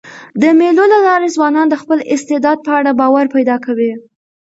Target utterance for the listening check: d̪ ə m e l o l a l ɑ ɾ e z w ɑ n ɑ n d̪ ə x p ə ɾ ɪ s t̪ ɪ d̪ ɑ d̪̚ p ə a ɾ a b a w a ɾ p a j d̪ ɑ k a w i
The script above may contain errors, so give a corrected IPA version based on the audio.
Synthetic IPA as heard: d̪ ə m e l o l a l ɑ ɾ e z w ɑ n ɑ n d̪ ə x p ə l ɪ s t̪ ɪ d̪ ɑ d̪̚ p ə a ɽ a b ɑ w a ɾ p a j d̪ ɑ k a w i